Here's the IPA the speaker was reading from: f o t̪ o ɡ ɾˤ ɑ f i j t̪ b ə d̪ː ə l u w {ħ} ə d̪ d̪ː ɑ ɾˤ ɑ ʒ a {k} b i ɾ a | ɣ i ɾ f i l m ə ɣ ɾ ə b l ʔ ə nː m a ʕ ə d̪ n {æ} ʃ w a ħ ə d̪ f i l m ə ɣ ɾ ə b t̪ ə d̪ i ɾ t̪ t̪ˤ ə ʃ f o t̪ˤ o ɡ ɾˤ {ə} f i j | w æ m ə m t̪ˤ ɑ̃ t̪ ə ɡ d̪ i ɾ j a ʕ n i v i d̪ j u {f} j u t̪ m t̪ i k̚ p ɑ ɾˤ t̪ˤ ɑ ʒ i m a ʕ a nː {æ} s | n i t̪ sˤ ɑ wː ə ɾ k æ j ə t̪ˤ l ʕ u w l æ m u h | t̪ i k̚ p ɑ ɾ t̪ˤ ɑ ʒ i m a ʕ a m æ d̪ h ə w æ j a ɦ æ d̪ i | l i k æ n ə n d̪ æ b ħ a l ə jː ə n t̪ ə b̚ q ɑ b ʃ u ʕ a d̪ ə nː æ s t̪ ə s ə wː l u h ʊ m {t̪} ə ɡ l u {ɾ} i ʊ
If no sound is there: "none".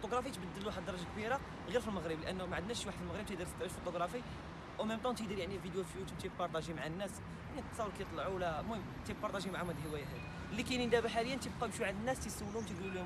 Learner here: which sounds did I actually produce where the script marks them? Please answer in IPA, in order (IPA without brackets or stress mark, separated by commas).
ħ, k, æ, ɑ, f, æ, t̪, l